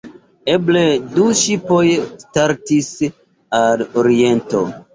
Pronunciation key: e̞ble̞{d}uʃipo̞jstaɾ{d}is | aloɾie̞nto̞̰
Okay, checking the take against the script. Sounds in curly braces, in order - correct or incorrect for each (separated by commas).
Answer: correct, incorrect